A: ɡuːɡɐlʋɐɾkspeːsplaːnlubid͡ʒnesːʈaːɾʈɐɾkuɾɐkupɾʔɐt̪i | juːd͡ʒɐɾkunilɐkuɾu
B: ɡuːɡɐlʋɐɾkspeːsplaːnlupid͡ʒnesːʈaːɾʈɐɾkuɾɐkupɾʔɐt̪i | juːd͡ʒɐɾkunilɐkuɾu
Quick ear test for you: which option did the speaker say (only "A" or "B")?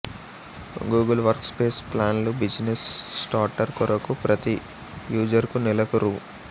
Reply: A